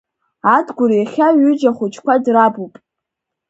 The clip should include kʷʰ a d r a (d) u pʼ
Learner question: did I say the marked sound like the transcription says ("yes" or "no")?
no